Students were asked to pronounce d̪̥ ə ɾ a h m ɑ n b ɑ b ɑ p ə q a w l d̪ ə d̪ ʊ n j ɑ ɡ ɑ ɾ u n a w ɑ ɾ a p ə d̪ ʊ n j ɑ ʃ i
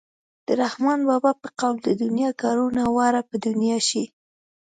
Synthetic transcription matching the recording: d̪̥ ə ɾ a h m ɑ n b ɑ b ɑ p ə q a w l d̪ ə d̪ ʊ n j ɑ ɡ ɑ ɾ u n a w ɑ ɾ a p ə d̪ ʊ n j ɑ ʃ i